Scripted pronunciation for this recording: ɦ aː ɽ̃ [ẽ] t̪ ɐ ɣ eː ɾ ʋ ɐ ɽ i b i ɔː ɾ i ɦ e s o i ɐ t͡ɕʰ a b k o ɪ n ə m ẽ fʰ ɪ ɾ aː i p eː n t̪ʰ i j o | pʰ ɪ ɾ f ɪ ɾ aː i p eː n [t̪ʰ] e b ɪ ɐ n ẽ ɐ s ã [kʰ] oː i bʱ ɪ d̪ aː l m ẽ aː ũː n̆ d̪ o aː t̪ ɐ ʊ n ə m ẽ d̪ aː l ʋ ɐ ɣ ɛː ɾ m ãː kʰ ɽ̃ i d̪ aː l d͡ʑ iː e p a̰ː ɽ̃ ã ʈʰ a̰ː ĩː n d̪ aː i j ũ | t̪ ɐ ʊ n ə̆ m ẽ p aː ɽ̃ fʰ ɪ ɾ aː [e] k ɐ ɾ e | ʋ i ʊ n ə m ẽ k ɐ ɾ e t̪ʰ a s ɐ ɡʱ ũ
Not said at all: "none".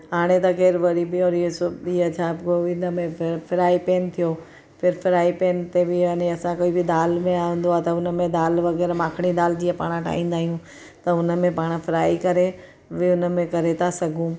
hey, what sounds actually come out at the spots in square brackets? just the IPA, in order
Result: e, t̪, k, i

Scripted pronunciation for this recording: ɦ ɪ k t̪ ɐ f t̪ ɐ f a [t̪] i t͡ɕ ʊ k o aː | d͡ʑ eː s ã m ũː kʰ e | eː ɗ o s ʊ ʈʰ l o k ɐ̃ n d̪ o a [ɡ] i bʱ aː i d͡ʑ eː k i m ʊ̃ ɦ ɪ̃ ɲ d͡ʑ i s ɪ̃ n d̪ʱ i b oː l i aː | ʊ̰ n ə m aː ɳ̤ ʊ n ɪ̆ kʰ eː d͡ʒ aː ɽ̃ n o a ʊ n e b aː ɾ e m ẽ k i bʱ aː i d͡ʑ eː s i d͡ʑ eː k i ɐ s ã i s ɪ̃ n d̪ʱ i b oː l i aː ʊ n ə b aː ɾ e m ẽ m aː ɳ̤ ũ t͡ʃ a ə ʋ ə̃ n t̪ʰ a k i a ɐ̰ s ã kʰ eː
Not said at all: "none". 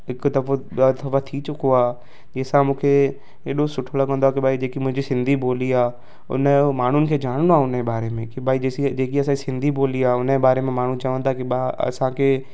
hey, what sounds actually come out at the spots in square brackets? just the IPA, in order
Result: t̪ʰ, k

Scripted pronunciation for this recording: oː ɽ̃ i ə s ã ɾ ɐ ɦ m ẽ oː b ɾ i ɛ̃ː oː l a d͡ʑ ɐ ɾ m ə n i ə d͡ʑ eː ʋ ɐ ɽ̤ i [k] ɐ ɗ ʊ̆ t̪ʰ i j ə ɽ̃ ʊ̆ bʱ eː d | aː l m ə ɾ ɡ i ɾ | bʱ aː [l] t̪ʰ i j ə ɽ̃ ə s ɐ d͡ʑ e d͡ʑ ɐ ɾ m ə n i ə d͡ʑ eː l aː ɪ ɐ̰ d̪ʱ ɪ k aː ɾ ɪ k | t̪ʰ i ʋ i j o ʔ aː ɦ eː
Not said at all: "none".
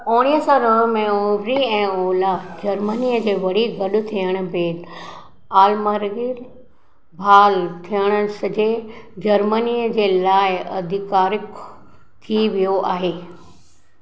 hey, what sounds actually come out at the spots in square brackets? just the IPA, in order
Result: ɡ, l

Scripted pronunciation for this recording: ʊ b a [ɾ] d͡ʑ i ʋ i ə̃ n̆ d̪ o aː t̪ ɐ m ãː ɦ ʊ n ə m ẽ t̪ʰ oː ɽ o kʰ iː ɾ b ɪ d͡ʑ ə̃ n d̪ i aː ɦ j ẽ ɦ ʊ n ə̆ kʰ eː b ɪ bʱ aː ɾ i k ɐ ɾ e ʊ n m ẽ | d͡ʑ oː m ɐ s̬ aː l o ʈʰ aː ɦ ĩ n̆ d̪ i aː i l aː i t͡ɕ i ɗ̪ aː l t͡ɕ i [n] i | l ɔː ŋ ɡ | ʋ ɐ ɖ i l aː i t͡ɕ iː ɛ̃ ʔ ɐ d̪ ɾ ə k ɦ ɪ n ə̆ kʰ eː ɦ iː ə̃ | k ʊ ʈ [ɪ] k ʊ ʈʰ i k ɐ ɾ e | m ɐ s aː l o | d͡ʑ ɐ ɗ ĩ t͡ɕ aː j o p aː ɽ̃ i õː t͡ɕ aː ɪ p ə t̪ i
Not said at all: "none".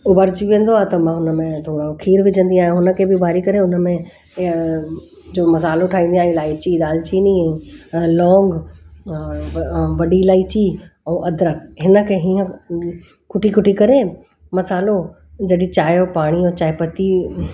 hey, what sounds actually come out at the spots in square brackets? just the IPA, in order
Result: ɾ, n, i

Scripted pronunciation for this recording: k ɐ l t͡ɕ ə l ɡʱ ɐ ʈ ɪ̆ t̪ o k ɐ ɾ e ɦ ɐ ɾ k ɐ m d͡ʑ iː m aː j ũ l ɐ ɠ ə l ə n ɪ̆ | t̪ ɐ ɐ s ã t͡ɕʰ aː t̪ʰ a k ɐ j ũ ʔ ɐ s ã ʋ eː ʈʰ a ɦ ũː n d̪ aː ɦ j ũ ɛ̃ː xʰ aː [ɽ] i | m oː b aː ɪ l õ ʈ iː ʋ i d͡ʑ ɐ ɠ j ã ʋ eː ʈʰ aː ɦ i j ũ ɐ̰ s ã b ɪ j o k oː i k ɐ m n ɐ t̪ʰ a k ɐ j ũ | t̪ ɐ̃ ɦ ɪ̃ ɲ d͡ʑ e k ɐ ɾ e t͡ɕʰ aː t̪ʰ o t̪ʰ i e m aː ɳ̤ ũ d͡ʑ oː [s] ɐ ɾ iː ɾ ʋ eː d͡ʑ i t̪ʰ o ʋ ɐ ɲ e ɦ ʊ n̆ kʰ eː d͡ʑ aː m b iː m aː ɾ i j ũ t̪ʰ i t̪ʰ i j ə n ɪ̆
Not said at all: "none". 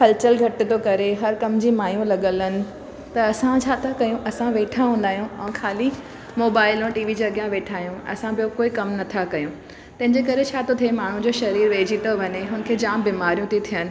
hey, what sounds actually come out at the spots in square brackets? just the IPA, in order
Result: l, ʃ

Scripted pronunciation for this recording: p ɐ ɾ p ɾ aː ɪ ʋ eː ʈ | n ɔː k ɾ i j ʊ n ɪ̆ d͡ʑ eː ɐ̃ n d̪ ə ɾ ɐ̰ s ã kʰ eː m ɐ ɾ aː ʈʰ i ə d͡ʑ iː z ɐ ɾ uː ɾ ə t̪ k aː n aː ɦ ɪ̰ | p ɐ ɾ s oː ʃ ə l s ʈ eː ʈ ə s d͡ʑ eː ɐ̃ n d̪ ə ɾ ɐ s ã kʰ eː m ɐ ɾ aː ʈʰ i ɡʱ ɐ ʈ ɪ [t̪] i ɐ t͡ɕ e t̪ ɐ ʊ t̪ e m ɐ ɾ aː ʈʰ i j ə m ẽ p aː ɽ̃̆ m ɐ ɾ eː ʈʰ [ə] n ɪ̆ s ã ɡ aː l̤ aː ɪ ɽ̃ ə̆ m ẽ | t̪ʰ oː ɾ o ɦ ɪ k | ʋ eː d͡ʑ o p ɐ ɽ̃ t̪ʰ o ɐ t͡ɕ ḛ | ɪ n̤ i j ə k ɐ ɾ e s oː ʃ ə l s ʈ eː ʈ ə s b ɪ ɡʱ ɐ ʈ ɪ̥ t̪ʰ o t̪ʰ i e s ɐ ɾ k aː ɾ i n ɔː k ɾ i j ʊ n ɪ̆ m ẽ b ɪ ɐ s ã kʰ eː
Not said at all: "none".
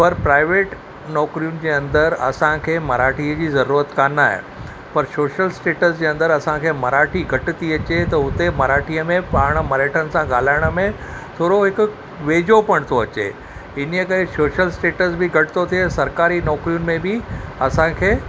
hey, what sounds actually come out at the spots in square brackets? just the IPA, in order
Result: t̪, ə

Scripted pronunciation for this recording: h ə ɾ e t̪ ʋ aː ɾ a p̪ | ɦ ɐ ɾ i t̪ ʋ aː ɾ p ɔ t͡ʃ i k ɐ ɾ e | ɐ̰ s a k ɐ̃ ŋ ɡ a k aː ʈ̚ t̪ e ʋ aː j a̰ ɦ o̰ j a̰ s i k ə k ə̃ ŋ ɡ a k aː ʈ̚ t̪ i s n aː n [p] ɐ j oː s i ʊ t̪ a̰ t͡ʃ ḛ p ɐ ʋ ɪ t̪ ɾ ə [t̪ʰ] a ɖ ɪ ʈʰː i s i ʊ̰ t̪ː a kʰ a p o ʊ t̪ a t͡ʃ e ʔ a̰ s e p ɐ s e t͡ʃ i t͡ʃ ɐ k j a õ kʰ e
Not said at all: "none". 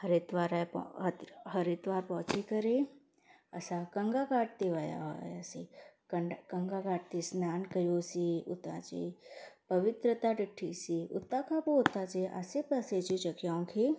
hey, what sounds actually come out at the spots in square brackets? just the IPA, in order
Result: k, t̪

